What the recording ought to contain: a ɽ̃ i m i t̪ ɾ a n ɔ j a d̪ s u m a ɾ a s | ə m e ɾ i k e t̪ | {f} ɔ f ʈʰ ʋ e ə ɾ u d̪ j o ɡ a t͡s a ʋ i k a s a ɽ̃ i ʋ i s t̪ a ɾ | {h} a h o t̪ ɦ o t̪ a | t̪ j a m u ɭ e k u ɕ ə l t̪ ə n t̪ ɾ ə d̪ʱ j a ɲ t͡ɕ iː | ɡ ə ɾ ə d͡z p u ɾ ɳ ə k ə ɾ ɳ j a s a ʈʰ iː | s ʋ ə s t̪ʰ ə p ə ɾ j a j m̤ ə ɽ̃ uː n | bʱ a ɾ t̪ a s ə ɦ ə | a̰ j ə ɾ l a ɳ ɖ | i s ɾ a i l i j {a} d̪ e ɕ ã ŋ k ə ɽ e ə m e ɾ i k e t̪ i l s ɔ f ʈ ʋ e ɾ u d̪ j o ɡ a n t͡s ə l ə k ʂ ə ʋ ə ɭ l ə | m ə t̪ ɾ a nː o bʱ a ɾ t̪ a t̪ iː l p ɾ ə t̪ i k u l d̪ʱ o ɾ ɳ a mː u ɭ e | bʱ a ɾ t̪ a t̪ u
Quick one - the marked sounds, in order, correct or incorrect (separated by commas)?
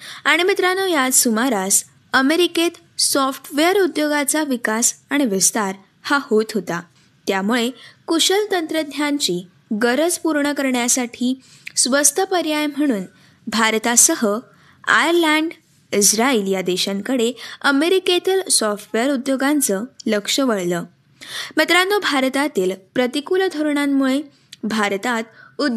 incorrect, correct, correct